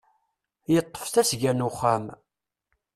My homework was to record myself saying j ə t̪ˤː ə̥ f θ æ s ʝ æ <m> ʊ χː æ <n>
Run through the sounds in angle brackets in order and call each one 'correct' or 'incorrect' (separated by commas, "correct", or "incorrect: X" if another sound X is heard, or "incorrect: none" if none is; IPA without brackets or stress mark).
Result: incorrect: n, incorrect: m